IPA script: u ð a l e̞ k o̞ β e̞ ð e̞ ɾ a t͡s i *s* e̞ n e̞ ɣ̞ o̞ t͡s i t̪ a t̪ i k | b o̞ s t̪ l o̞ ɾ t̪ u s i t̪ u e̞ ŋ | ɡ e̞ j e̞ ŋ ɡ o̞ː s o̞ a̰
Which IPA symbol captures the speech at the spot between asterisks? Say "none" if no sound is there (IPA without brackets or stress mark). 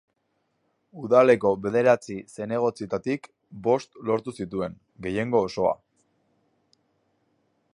s